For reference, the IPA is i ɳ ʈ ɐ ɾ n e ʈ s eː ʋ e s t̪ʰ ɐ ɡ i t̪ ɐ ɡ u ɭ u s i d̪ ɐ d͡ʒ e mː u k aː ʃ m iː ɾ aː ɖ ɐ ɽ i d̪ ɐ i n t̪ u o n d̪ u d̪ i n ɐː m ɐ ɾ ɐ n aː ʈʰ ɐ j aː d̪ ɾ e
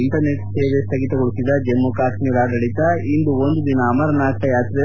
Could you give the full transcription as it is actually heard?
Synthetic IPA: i ɳ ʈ ɐ ɾ n e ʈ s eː ʋ e s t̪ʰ ɐ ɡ i t̪ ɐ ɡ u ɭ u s i d̪ ɐ d͡ʒ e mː u k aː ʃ m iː ɾ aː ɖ ɐ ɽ i t̪ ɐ i n d̪ u o n d̪ u d̪ i n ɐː m ɐ ɾ ɐ n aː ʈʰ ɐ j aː t̪ ɾ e